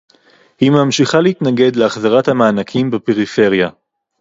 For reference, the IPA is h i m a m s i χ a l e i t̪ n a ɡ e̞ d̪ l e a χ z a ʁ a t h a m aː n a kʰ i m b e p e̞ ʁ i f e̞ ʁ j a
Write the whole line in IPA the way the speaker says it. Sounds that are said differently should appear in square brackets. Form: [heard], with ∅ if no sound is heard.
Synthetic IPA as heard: h i m a m [ʃ] i χ a l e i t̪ n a ɡ e̞ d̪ l e a χ z a ʁ a t h a m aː n a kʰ i m b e p e̞ ʁ i f e̞ ʁ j a